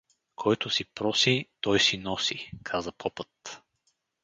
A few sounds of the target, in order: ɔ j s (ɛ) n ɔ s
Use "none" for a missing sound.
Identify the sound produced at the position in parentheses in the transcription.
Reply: i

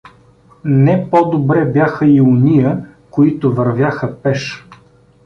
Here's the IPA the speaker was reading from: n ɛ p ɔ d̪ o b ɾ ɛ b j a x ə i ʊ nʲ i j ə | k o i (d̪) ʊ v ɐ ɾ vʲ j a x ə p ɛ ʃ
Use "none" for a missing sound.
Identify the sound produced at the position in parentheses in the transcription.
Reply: t̪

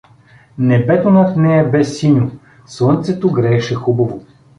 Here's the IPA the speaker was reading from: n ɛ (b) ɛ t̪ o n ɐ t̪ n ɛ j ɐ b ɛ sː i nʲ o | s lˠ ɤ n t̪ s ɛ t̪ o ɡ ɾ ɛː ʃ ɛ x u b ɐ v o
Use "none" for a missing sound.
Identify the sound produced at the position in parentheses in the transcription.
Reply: b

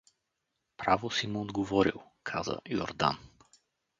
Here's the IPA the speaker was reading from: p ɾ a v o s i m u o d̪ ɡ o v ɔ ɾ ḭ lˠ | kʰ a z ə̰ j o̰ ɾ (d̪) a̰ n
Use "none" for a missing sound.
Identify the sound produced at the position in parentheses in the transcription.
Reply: d̪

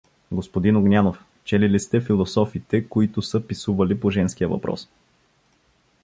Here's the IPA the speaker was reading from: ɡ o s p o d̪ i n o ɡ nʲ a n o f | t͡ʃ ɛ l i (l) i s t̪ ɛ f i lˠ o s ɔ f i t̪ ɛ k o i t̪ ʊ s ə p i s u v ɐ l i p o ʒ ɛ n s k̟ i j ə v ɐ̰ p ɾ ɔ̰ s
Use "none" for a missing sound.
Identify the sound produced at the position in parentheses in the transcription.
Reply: l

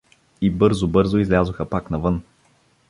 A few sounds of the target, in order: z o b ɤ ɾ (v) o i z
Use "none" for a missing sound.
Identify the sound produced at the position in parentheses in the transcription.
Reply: z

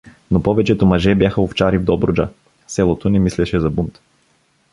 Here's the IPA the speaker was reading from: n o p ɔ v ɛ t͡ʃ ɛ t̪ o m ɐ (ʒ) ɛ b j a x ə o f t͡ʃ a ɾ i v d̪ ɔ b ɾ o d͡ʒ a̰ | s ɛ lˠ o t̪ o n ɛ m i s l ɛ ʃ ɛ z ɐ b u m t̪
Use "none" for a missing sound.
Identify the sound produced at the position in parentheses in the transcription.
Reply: ʒ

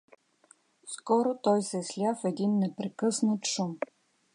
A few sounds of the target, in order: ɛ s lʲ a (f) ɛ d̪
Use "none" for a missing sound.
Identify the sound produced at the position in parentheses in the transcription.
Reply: f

